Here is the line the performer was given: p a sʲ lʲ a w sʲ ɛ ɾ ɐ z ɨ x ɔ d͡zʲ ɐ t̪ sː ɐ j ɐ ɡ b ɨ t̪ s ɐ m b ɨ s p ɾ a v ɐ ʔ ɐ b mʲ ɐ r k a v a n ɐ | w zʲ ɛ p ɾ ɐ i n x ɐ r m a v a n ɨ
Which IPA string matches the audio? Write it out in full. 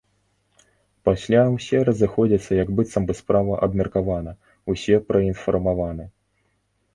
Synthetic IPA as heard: p a sʲ lʲ a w sʲ ɛ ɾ ɐ z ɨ x ɔ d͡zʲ ɐ t̪ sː ɐ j ɐ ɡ b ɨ t̪ s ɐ m b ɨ s p ɾ a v ɐ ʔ ɐ b mʲ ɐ r k a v a n ɐ | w sʲ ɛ p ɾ ɐ i n f ɐ r m a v a n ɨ